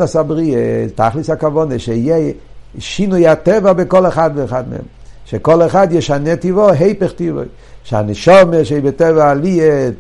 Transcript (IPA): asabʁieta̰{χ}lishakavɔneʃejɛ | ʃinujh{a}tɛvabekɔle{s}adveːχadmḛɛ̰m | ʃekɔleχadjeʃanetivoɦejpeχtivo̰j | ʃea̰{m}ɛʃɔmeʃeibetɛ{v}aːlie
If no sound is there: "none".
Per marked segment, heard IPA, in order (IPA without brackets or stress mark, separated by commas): χ, a, χ, n, v